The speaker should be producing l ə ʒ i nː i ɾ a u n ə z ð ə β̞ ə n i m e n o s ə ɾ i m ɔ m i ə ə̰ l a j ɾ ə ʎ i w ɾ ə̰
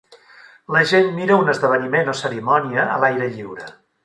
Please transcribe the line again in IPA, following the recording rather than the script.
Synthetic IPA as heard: l ə ʒ e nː i ɾ ə u n ə z ð ə β̞ ə n i m e n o s ə ɾ i m ɔ n i ə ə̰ l a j ɾ ə ʎ i w ɾ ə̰